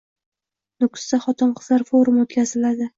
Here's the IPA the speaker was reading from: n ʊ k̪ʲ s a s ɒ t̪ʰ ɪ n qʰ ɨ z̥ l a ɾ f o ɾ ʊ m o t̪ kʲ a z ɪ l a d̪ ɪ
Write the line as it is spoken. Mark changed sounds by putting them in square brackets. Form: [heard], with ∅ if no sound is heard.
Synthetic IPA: n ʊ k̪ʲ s a [χ] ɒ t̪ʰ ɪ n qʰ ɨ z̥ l a ɾ f o ɾ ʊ m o t̪ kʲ a z ɪ l a d̪ ɪ